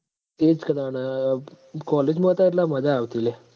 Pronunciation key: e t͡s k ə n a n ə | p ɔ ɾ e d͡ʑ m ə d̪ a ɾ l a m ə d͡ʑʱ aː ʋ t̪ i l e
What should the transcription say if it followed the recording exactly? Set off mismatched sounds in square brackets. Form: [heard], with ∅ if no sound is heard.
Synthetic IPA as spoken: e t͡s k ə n a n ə | [k] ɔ [l] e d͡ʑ m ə [t̪] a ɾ l a m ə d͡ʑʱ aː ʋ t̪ i l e